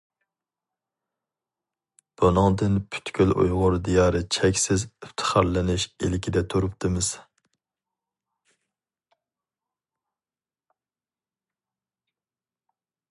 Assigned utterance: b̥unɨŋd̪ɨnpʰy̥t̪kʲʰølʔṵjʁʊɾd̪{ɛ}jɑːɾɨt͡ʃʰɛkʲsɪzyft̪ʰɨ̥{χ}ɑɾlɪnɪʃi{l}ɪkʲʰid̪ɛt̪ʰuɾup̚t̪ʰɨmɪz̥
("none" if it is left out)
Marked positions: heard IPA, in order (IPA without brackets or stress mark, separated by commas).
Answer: i, χ, l